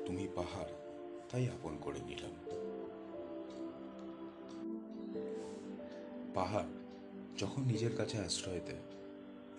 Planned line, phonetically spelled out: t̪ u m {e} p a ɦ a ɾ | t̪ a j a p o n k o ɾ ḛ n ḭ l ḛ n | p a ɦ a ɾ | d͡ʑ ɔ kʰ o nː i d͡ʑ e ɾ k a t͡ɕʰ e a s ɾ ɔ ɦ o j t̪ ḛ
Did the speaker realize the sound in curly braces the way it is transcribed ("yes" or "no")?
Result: no